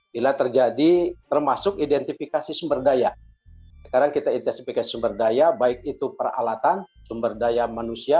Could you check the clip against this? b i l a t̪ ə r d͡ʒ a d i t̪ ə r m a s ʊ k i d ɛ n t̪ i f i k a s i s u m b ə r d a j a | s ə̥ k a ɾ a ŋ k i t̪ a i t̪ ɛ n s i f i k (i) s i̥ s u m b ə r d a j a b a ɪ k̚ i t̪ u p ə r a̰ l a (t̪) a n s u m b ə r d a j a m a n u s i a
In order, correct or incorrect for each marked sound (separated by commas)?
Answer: incorrect, correct